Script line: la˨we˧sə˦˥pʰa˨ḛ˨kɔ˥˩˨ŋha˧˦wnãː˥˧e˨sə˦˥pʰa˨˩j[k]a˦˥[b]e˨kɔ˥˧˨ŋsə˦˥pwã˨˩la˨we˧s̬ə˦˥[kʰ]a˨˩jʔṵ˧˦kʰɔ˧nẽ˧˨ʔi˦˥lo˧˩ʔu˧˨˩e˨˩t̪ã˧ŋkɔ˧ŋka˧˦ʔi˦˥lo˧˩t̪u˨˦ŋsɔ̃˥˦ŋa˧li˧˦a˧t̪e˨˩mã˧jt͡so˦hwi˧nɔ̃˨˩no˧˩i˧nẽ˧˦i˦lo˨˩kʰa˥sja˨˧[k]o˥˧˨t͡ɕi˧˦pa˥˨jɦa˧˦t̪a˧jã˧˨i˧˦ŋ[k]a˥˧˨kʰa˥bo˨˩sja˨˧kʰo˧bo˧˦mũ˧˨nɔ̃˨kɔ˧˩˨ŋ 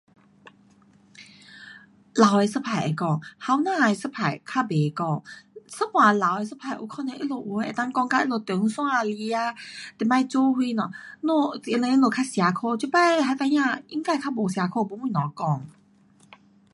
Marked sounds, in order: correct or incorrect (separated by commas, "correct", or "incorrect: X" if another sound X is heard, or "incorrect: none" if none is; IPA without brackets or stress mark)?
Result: incorrect: kʰ, correct, incorrect: pʰ, incorrect: kʰ, correct